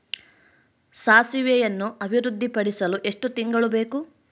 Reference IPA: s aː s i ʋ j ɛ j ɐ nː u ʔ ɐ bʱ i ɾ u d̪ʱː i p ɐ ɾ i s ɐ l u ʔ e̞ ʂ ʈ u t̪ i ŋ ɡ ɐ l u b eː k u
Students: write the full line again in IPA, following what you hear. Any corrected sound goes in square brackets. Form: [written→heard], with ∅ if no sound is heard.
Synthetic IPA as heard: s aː s i ʋ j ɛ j ɐ nː u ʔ ɐ bʱ i ɾ u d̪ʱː i p ɐ [ɾ→ɽ] i s ɐ l u ʔ e̞ ʂ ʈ u t̪ i ŋ ɡ ɐ [l→ɭ] u b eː k u